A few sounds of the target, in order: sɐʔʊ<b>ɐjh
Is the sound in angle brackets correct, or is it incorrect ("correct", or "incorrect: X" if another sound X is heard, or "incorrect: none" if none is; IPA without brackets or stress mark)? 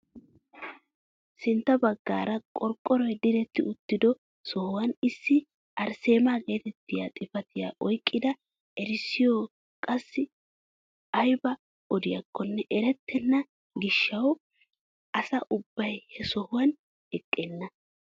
incorrect: bː